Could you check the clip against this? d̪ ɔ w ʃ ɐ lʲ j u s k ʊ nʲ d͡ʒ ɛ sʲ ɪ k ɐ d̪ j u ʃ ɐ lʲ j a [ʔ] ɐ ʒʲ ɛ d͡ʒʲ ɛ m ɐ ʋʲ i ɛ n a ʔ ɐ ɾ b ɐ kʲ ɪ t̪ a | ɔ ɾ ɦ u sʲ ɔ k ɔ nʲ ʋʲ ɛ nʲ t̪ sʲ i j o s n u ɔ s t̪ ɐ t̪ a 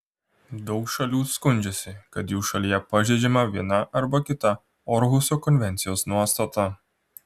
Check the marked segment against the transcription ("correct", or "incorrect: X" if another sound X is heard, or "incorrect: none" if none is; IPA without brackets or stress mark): incorrect: p